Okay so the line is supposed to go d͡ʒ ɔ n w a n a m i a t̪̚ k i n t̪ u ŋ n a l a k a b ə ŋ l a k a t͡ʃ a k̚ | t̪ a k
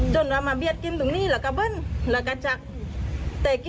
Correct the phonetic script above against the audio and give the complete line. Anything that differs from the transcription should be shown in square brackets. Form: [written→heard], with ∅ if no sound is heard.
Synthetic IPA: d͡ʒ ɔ n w a [n→m] a [m→b] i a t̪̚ k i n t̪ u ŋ n [a→i] l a k a b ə [ŋ→n] l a k a t͡ʃ a k̚ | t̪ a k